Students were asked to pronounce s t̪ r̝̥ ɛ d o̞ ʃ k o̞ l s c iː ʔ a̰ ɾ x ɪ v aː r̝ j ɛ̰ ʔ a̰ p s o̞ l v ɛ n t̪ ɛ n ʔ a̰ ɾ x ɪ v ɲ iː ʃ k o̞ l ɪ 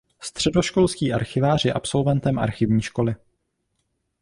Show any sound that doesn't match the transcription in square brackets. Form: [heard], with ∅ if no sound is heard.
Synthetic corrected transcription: s t̪ r̝̥ ɛ d o̞ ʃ k o̞ l s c iː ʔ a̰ ɾ x ɪ v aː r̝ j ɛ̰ ʔ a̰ p s o̞ l v ɛ n t̪ ɛ [m] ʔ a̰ ɾ x ɪ v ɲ iː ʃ k o̞ l ɪ